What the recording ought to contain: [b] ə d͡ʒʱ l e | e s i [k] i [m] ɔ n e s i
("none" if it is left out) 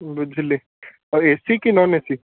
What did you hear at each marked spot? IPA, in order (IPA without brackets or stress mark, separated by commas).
b, k, n